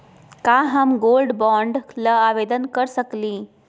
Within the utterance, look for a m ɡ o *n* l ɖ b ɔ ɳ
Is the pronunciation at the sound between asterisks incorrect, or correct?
incorrect